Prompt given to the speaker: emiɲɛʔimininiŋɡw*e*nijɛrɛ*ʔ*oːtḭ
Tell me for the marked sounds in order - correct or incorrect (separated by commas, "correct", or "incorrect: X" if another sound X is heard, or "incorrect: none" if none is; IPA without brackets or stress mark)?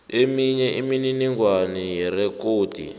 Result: incorrect: a, incorrect: k